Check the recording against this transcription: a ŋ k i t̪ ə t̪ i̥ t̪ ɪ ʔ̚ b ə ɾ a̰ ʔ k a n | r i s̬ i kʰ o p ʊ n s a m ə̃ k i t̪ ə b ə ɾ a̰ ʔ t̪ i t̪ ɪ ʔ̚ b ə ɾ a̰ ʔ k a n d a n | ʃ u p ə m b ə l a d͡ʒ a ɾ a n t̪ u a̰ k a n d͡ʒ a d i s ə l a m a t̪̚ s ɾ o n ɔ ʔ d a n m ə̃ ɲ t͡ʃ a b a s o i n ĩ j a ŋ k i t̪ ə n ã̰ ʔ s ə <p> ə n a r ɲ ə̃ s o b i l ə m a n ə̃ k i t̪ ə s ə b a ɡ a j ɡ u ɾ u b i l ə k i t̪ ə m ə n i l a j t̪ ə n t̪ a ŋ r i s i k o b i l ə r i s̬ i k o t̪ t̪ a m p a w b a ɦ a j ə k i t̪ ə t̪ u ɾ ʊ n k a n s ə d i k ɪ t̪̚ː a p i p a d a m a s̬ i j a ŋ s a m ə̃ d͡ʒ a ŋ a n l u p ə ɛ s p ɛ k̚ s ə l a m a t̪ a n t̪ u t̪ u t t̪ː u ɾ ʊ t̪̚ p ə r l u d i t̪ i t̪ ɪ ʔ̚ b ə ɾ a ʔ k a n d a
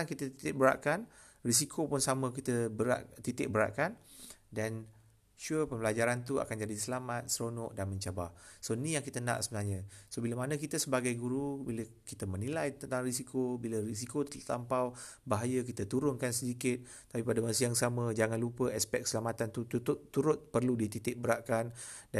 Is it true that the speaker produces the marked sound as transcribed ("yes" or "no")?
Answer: no